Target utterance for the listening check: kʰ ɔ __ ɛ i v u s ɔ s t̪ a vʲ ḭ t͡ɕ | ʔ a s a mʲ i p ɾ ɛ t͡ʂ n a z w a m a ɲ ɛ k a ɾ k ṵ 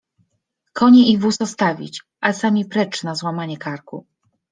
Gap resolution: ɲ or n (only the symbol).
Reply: ɲ